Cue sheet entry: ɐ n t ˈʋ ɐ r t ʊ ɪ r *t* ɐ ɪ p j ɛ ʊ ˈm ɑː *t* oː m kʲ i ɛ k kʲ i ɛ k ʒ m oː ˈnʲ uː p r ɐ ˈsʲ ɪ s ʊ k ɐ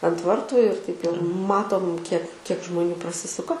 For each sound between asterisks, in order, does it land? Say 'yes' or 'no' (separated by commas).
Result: yes, yes